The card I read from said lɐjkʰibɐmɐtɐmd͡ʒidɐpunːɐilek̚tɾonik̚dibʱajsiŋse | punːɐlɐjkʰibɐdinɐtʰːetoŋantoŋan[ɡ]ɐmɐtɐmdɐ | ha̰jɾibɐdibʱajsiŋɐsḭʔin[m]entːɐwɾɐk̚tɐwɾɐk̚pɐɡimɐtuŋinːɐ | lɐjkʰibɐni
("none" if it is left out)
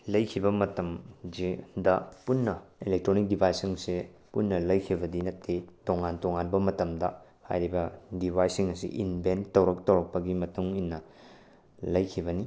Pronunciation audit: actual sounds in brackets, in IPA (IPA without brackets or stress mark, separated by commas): b, b